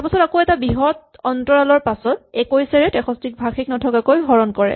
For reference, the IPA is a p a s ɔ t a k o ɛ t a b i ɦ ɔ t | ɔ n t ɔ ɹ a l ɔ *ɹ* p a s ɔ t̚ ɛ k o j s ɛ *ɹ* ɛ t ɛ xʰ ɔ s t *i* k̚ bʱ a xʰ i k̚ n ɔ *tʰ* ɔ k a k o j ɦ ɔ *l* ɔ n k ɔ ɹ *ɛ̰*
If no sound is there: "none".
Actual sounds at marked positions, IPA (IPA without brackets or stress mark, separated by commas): ɹ, ɹ, i, tʰ, ɹ, ɛ̰